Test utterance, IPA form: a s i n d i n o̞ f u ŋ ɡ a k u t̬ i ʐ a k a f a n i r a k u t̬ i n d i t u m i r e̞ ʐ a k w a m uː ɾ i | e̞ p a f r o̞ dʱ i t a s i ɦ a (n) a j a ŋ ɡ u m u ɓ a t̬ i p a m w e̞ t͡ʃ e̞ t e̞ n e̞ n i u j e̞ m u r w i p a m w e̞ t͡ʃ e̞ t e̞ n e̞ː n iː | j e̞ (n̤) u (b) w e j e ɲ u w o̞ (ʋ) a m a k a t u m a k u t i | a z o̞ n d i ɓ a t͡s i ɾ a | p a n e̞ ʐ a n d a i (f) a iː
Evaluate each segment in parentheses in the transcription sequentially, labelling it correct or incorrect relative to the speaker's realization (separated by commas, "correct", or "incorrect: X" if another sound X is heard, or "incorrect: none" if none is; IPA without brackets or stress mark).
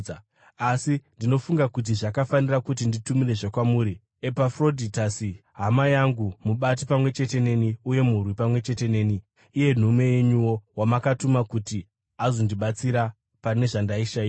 incorrect: m, correct, incorrect: m, incorrect: w, incorrect: ʃ